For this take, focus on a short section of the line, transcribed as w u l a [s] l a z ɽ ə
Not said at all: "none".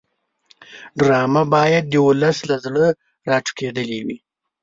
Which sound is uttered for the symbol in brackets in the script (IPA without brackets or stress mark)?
s